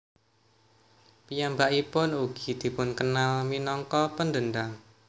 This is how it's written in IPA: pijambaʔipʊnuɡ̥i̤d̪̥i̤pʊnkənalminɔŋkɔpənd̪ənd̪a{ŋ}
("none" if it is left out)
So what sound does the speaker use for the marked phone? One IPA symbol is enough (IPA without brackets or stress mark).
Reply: ŋ